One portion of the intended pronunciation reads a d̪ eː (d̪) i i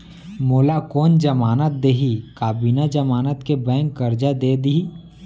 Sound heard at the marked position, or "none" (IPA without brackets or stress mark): d̪